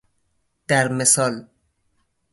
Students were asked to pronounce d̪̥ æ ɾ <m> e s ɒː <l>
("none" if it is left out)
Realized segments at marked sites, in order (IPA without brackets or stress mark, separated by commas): m, l